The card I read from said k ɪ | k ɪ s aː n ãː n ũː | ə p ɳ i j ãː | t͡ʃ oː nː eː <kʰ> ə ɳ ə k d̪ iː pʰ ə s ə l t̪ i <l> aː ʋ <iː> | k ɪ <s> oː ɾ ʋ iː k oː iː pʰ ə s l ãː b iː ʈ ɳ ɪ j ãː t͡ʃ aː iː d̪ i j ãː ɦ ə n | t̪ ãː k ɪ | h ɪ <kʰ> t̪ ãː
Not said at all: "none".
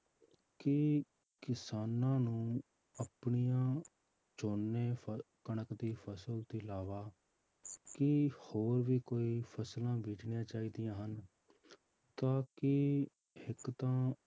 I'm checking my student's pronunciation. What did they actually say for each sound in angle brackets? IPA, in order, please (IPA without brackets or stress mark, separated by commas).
k, l, aː, h, k